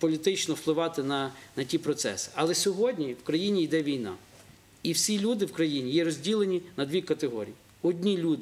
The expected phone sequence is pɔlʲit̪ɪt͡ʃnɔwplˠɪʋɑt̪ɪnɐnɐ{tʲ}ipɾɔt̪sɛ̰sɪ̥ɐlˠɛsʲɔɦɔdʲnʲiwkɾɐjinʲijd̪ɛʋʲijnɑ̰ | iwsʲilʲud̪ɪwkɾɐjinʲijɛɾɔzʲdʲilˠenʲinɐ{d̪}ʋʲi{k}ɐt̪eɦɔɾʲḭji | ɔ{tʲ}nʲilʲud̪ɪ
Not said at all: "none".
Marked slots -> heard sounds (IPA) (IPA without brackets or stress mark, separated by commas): tʲ, d̪, k, dʲ